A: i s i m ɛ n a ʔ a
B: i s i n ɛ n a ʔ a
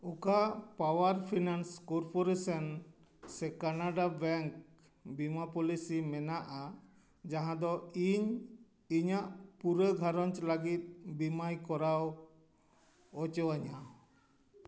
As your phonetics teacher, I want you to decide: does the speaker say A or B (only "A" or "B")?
A